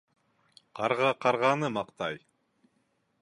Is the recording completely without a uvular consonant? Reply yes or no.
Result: no